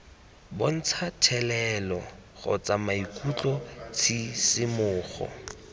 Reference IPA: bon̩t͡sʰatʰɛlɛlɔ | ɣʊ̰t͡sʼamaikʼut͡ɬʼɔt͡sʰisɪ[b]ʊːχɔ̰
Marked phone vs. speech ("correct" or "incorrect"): incorrect